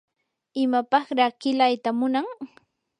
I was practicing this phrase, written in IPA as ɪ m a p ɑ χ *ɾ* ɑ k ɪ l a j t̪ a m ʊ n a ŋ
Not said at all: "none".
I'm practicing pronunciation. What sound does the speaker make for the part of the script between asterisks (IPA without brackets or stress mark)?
ɾ